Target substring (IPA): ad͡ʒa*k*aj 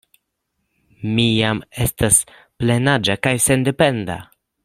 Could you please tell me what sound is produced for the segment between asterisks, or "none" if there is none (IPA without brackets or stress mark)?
k